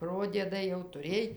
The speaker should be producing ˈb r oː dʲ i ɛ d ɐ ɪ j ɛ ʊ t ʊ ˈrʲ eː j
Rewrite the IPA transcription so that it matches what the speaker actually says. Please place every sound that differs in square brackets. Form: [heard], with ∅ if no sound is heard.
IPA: [ˈp] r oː dʲ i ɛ d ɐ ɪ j ɛ ʊ t ʊ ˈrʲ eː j